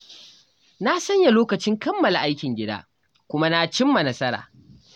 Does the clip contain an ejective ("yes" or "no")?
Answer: no